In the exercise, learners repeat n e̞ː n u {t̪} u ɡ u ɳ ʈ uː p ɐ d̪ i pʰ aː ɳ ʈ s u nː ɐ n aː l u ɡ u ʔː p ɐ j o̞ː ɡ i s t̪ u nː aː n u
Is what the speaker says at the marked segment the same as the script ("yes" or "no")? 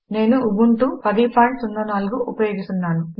no